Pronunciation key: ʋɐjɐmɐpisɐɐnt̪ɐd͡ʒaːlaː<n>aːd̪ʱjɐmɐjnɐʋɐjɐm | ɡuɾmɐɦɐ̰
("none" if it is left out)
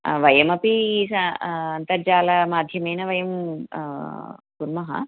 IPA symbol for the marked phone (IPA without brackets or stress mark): m